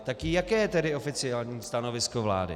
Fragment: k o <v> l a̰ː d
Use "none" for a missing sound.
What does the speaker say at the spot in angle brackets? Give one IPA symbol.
v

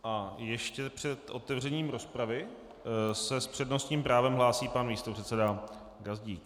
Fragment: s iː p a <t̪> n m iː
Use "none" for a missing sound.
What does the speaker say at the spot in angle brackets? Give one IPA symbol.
none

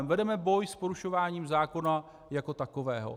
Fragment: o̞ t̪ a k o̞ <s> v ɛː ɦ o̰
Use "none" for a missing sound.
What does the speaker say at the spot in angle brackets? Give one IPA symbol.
none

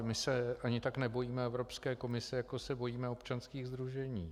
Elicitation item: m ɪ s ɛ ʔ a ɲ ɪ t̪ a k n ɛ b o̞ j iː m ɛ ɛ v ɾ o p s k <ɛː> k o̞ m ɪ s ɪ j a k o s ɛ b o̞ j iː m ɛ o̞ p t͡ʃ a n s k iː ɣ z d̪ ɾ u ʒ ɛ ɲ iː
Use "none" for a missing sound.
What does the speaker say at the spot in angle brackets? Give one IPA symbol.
ɛː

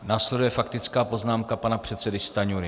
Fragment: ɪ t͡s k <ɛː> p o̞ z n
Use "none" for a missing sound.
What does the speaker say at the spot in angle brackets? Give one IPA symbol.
aː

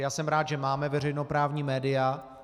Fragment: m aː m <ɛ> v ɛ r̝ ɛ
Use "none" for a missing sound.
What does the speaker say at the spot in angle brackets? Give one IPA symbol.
ɛ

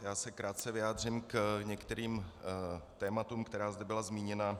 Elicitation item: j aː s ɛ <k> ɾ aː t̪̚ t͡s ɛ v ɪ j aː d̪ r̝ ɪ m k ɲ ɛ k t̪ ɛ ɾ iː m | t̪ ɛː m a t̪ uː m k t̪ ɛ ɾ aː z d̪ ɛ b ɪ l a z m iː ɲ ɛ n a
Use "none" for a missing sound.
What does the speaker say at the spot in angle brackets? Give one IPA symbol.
k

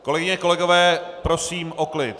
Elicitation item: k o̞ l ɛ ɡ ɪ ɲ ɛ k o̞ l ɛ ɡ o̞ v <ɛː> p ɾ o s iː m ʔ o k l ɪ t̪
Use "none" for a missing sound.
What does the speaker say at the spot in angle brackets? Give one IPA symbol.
ɛː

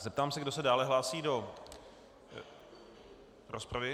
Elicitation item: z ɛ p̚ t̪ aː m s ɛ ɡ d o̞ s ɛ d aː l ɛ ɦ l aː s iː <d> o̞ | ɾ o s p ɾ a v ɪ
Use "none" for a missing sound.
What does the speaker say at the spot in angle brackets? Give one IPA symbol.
d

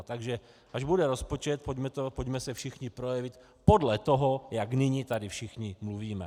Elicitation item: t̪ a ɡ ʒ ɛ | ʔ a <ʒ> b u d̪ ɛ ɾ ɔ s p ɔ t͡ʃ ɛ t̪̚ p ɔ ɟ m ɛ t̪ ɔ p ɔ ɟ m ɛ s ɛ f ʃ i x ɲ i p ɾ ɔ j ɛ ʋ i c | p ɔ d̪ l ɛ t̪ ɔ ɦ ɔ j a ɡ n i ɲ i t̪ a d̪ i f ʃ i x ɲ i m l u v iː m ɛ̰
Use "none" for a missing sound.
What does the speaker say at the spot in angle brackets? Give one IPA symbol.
ʒ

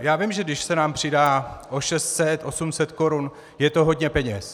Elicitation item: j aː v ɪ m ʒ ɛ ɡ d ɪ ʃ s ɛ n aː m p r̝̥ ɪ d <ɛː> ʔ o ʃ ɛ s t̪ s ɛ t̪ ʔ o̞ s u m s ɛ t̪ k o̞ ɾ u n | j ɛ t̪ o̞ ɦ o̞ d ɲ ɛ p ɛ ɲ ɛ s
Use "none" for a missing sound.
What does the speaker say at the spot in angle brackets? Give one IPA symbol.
aː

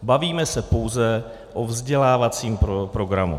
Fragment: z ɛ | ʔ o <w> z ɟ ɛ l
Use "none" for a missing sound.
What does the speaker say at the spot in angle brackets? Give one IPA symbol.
v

